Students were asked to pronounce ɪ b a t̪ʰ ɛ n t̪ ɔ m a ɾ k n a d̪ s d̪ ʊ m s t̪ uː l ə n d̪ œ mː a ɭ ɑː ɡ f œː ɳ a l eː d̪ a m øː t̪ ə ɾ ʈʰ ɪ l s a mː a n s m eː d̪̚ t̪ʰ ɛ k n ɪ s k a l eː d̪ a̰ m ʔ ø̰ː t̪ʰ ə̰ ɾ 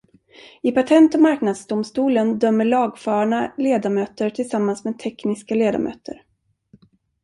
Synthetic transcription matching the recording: ɪ p a t̪ʰ ɛ n t̪ ɔ m a ɾ k n a d̪ s d̪ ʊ m s t̪ uː l ə n d̪ œ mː ə ɭ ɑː ɡ f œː ɳ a l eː d̪ a m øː t̪ ə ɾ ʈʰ ɪ l s a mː a n s m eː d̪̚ t̪ʰ ɛ k n ɪ s k a l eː d̪ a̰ m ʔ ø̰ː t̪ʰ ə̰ ɾ